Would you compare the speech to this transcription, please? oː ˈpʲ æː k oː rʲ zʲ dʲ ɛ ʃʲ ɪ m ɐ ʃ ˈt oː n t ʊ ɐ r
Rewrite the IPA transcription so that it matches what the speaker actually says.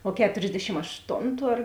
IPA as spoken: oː ˈkʲ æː t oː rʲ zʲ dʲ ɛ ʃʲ ɪ m ɐ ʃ ˈt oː n t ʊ ɐ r